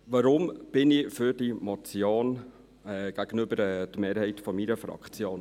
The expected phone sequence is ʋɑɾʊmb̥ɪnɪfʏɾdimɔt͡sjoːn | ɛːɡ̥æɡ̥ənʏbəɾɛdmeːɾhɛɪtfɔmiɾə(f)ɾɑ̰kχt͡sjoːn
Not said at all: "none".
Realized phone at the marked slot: f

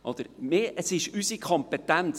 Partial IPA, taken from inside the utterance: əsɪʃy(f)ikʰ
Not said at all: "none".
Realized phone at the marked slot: s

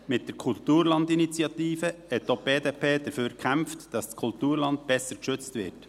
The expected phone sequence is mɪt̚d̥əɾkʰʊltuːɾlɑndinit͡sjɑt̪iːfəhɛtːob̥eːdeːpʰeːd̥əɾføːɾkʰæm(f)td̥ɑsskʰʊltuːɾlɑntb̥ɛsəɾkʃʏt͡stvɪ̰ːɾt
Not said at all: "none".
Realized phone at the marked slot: f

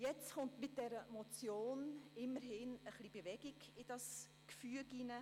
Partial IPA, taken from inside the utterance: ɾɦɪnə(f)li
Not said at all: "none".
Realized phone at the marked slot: χ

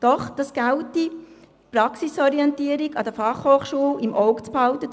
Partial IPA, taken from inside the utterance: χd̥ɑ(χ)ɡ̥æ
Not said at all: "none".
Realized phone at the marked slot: s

